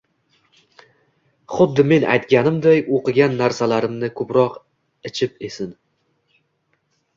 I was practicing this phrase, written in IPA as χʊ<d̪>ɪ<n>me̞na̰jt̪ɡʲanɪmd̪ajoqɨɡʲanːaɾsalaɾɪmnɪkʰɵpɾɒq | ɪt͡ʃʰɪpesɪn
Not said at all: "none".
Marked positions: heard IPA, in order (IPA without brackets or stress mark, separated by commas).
d̪ː, none